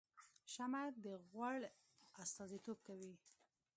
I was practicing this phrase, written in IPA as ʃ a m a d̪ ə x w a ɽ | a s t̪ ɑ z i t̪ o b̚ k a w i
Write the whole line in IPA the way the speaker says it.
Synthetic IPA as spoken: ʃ a m a d̪ ə ɣ w a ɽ | a s t̪ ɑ z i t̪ o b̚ k a w i